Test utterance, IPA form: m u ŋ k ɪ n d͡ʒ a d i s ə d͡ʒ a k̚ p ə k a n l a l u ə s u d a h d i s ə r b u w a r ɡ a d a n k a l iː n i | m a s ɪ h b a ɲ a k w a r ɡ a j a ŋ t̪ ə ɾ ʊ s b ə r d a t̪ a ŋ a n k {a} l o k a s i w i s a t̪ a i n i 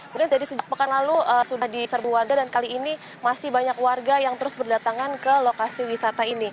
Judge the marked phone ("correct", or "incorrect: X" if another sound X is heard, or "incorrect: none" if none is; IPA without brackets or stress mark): incorrect: ə